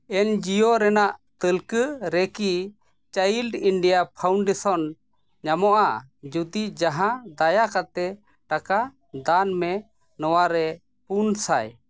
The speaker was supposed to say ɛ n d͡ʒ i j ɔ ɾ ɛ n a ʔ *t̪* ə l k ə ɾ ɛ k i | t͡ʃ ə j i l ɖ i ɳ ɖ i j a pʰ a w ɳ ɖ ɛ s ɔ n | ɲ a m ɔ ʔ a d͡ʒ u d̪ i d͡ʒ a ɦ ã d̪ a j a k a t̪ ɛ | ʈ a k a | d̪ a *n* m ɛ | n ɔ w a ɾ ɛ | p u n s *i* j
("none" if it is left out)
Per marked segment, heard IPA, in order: t̪, n, a

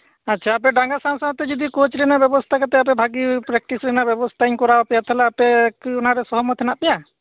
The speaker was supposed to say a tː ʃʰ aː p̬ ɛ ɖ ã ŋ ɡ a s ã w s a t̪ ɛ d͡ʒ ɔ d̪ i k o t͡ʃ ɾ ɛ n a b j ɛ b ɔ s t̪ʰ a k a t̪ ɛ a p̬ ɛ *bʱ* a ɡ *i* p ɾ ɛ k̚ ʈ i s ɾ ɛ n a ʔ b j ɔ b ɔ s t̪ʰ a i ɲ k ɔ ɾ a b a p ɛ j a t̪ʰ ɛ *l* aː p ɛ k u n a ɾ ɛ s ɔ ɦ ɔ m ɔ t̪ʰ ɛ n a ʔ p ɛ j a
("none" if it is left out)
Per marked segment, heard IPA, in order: bʱ, i, l

